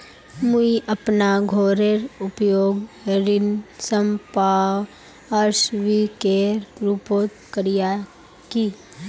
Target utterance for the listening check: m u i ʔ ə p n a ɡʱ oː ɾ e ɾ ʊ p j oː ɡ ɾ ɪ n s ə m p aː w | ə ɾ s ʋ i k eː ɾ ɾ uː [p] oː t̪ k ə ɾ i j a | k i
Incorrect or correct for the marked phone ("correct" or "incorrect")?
correct